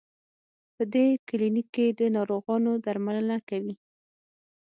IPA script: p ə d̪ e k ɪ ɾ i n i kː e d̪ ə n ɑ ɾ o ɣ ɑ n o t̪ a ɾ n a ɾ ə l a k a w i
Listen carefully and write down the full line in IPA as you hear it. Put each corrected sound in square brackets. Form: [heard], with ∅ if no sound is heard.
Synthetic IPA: p ə d̪ e k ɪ [l] i n i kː e d̪ ə n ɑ ɾ o ɣ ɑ n o [d̪] a ɾ [m] a [l] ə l a k a w i